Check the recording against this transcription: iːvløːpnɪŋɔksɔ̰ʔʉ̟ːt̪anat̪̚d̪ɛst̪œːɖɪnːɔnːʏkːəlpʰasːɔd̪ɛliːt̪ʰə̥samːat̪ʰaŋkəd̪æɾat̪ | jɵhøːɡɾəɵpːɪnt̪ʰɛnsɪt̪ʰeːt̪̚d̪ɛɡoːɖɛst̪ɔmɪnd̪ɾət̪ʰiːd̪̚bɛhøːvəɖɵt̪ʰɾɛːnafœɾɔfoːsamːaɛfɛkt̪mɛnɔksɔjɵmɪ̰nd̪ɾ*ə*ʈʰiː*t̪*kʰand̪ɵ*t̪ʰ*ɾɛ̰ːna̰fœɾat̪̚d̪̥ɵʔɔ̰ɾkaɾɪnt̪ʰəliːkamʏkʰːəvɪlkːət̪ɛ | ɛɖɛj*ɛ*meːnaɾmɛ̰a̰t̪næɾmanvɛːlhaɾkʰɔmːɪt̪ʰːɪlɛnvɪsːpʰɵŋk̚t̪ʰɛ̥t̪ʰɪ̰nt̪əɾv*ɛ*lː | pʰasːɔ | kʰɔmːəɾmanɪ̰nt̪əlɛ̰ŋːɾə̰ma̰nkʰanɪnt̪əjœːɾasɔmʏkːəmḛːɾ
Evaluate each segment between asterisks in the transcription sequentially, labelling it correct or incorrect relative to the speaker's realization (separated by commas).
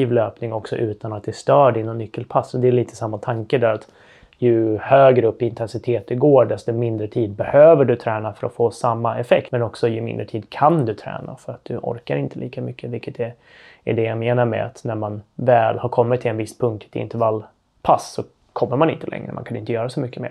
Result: correct, incorrect, correct, incorrect, incorrect